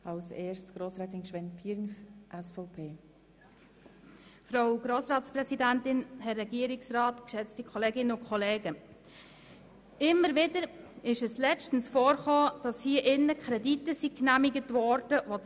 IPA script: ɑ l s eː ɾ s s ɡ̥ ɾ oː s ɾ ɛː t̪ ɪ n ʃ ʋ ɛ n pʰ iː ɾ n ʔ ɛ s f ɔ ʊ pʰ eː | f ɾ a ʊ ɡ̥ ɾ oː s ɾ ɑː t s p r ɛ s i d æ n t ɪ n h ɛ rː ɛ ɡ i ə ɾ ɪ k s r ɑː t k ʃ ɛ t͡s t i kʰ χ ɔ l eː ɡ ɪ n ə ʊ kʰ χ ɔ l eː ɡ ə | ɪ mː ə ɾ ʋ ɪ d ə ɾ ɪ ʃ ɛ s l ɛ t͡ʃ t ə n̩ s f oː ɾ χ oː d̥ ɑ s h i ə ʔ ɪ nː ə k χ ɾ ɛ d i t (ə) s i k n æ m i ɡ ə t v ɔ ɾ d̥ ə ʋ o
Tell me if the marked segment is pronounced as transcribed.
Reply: yes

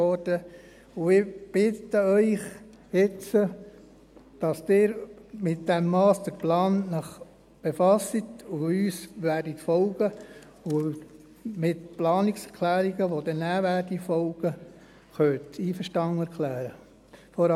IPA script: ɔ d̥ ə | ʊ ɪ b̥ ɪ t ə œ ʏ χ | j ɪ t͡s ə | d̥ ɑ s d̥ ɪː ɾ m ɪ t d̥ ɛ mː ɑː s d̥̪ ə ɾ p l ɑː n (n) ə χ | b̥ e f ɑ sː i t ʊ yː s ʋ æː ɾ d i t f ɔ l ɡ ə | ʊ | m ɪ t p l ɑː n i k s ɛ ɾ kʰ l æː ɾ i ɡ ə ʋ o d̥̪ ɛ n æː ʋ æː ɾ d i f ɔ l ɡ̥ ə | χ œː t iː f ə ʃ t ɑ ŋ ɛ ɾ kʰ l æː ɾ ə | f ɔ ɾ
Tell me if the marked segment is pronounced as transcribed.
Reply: yes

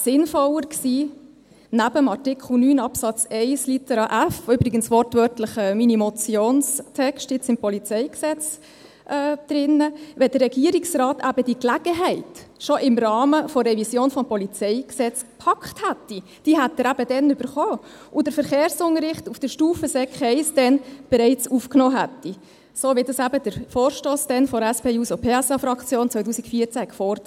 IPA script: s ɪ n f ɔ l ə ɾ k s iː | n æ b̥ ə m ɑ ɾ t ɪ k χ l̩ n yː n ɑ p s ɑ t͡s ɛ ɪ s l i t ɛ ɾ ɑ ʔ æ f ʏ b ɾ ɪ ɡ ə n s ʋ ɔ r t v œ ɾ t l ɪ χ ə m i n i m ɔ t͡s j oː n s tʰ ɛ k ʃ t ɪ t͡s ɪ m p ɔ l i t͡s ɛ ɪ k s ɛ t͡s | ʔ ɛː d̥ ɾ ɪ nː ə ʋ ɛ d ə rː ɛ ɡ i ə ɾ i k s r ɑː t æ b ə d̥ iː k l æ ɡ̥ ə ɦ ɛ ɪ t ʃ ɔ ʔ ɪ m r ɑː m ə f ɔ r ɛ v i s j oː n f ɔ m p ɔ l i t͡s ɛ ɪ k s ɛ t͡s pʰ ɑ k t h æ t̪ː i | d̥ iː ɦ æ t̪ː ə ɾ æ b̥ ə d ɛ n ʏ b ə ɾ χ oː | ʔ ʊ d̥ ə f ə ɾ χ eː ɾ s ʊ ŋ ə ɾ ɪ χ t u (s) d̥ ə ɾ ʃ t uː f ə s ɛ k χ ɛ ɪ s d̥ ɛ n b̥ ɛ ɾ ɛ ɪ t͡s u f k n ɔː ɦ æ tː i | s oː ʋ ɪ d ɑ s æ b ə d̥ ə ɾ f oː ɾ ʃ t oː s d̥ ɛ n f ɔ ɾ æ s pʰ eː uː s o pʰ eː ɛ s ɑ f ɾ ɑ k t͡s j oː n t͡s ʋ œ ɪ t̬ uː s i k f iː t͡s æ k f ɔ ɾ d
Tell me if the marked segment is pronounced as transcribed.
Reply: no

